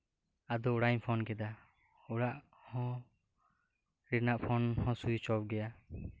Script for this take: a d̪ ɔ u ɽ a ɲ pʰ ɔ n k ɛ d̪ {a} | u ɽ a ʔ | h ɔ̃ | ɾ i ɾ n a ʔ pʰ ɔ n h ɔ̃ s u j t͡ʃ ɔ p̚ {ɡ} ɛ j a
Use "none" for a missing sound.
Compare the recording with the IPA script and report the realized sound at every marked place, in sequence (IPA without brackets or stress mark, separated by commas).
a, ɡ